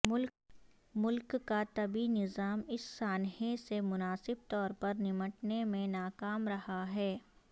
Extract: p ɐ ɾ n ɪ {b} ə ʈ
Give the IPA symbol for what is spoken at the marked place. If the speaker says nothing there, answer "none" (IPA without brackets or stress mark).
m